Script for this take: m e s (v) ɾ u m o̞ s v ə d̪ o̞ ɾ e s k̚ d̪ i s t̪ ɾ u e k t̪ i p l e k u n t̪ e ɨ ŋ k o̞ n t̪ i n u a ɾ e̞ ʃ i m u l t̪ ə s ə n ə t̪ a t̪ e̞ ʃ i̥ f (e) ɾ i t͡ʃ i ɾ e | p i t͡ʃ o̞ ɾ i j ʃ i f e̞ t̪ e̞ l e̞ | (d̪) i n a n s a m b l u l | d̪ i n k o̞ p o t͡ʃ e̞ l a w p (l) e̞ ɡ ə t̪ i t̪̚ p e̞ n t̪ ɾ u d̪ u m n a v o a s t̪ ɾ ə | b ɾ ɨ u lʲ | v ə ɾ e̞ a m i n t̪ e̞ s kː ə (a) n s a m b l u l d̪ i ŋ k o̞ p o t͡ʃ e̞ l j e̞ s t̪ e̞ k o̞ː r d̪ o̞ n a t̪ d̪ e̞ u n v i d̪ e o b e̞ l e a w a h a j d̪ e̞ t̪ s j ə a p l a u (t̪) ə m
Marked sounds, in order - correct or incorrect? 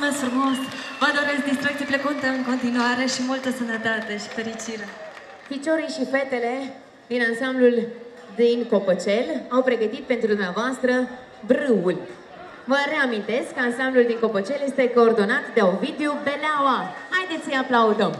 incorrect: f, correct, correct, incorrect: ɾ, correct, incorrect: d̪

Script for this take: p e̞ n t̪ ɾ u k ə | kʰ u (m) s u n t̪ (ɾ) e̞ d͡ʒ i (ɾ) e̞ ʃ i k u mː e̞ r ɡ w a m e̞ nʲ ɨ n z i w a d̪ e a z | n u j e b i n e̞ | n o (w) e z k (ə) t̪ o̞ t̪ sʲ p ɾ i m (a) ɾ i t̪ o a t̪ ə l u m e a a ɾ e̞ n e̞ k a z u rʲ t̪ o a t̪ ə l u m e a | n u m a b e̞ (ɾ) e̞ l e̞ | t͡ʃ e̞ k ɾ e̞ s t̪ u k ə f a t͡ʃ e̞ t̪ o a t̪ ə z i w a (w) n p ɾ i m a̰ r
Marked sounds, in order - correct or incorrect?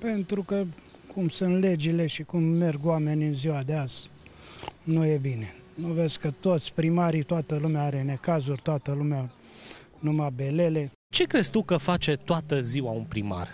correct, incorrect: l, incorrect: l, incorrect: v, correct, correct, incorrect: l, incorrect: u

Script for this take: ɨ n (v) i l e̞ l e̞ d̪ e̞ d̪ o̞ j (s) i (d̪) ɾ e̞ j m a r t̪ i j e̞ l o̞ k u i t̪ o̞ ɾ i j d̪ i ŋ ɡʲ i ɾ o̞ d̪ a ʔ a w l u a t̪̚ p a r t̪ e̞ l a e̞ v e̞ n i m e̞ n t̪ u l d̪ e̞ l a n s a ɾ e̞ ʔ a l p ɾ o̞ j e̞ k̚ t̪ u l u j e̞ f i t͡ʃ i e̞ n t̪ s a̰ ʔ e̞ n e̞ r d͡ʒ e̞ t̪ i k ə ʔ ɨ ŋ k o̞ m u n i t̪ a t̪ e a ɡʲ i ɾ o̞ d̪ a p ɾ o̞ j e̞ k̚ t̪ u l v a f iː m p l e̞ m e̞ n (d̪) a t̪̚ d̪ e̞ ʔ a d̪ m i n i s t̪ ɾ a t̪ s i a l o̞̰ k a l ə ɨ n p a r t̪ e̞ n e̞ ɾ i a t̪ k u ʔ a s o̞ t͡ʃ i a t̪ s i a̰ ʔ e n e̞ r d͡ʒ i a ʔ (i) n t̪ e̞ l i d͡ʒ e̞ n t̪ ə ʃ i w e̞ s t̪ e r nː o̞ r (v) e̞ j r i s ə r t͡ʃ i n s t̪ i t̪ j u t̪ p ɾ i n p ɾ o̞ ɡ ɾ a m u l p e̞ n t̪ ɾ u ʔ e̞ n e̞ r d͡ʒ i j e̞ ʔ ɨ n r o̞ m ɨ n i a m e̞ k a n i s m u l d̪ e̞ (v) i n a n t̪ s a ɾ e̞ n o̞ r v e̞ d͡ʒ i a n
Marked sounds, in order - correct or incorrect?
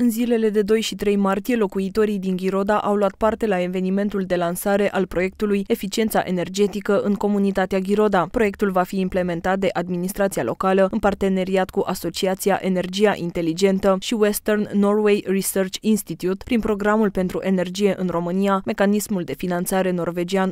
incorrect: z, incorrect: ʃ, incorrect: t̪, incorrect: t̪, correct, incorrect: w, incorrect: f

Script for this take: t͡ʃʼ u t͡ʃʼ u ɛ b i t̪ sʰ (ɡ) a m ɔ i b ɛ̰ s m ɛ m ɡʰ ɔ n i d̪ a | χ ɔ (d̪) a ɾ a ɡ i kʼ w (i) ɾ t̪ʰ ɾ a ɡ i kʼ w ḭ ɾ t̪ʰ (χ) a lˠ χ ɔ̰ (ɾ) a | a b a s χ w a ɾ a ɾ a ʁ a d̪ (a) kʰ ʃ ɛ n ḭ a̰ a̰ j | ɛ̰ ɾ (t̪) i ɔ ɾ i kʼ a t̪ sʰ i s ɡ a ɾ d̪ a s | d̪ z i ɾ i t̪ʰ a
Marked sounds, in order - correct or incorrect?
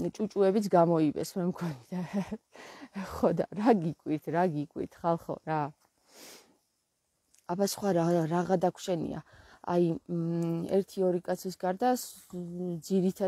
correct, correct, correct, correct, correct, correct, incorrect: t̪ʰ

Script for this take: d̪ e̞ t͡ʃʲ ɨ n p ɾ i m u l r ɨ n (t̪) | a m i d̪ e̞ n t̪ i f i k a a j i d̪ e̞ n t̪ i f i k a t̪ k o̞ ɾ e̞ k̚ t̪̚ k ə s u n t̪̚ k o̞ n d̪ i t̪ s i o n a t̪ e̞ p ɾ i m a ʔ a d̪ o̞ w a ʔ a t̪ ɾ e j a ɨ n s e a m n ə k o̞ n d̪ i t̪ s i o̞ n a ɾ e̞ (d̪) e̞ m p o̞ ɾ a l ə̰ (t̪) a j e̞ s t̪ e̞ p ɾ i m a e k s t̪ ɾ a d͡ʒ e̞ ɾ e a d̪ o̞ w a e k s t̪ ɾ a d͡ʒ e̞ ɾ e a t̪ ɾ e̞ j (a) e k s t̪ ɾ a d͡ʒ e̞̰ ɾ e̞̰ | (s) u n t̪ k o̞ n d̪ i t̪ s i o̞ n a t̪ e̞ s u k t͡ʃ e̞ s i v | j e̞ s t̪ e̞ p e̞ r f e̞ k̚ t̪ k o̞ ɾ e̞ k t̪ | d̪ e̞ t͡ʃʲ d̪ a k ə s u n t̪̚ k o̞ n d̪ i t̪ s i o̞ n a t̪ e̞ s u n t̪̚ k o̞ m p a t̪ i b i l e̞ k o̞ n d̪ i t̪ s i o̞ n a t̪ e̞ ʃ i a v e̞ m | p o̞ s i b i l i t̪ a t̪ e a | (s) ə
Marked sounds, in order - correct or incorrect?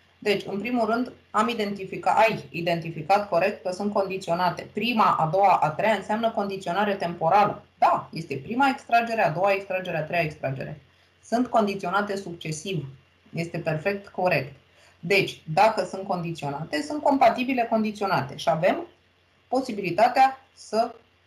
incorrect: d̪, incorrect: t̪, incorrect: d̪, correct, correct, correct

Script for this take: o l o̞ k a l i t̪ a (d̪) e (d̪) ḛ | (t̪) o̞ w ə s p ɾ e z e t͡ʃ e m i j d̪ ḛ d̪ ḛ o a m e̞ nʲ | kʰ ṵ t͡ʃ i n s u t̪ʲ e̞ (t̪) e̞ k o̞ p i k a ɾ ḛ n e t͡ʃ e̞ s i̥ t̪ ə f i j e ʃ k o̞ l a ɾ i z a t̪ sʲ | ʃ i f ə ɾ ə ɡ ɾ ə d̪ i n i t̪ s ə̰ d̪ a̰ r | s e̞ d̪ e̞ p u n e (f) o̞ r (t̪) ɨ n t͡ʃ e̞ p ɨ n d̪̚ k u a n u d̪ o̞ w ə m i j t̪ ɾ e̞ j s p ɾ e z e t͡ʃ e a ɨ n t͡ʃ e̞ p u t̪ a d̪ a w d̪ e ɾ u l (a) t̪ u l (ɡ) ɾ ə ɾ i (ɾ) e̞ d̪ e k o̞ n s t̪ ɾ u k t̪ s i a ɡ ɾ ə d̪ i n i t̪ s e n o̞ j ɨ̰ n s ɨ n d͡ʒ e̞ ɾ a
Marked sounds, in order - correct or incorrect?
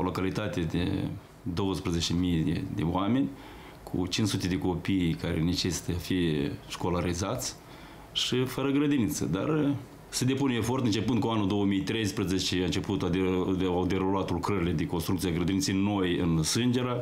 incorrect: t̪, correct, incorrect: d̪, incorrect: d̪, correct, correct, correct, incorrect: k, incorrect: l

